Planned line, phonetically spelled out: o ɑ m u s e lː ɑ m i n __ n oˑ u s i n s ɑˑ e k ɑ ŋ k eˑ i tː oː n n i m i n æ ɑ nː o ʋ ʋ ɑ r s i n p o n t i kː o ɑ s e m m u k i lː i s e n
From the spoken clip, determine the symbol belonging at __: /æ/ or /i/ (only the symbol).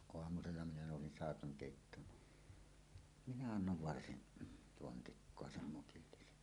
æ